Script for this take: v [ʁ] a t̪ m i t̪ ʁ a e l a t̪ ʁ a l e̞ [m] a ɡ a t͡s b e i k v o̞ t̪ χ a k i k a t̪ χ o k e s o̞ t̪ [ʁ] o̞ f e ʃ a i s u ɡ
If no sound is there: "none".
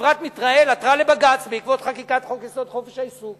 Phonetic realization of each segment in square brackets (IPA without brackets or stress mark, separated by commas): ʁ, b, χ